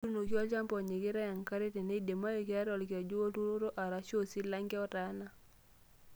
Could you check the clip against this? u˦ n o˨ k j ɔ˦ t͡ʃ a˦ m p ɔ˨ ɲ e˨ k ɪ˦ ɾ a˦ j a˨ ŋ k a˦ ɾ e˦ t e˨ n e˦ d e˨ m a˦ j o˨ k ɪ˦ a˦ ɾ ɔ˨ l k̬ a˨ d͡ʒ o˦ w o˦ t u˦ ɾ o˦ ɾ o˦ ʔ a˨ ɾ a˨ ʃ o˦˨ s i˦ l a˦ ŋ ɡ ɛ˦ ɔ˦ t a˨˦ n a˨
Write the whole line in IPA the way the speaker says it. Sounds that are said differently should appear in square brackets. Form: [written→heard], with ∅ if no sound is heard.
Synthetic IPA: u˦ n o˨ k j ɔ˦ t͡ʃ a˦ m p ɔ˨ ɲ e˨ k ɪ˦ ɾ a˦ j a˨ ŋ k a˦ ɾ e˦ t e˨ n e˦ d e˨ m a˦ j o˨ k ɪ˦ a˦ ɾ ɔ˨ l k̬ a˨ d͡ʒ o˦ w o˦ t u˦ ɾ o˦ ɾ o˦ ʔ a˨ ɾ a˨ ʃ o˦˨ s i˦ l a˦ ŋ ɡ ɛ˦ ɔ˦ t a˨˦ n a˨